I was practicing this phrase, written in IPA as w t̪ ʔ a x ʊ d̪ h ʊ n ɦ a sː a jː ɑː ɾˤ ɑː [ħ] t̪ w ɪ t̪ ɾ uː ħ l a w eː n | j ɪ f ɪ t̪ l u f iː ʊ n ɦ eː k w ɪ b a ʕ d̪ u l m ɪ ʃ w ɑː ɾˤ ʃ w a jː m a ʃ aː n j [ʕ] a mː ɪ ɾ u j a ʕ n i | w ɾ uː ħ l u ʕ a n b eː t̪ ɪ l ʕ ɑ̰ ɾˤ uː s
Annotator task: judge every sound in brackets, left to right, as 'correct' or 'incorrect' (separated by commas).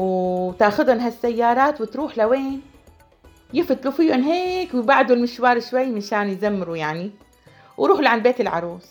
incorrect, incorrect